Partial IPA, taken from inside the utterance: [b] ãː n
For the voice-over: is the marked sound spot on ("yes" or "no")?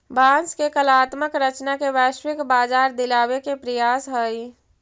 yes